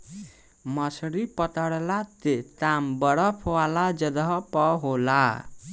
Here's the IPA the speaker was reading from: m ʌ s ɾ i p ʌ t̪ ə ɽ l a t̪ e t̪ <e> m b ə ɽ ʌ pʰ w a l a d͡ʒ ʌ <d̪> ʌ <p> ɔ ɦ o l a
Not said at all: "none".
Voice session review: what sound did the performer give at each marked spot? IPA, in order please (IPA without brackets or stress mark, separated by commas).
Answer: a, d̪, p